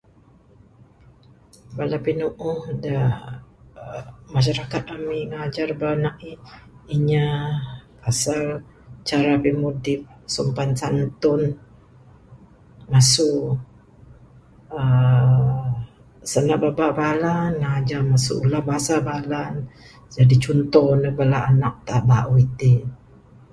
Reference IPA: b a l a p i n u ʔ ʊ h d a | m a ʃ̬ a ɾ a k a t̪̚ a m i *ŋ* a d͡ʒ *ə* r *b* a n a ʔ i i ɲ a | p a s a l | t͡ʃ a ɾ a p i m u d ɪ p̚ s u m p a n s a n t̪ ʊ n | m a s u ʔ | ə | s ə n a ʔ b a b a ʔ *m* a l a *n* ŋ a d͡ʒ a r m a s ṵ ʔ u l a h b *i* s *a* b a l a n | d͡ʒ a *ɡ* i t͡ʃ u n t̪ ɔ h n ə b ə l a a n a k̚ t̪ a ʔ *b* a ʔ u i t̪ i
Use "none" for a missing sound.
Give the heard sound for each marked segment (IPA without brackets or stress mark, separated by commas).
ŋ, a, b, b, n, a, a, d, b